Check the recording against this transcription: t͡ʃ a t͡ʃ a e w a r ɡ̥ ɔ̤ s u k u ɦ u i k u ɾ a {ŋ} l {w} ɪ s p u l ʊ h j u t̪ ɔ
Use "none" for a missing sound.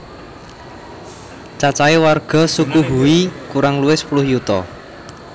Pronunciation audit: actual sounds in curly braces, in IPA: ŋ, u

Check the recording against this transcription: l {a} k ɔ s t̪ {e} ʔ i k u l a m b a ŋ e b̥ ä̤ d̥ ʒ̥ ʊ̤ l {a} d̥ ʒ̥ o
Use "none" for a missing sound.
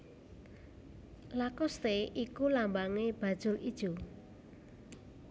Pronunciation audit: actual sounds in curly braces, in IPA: a, e, i

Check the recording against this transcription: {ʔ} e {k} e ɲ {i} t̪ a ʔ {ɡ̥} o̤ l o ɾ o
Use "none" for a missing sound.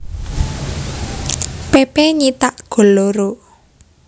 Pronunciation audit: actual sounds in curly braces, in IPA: p, p, i, ɡ̥

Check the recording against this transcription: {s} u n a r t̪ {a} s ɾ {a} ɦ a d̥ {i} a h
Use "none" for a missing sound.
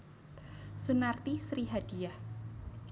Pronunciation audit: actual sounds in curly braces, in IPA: s, i, i, i

